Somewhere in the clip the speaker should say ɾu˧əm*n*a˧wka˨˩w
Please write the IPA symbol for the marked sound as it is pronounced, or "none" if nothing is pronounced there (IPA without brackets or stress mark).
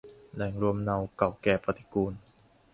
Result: n